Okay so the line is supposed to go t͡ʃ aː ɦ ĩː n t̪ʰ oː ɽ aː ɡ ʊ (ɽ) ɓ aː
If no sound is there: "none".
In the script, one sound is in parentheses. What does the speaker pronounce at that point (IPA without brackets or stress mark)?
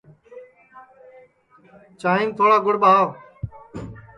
ɽ